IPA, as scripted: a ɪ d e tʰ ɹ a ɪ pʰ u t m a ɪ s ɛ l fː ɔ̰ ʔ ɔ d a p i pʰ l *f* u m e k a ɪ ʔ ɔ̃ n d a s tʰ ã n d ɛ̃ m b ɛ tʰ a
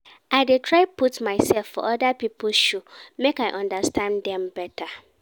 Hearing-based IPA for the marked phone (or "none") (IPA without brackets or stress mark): ʃ